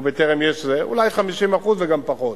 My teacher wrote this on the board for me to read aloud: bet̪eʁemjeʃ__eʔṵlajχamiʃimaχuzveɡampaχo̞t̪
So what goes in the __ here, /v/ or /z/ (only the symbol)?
z